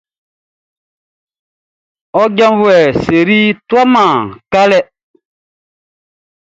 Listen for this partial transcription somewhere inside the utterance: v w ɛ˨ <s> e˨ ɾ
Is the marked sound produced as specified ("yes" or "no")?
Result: yes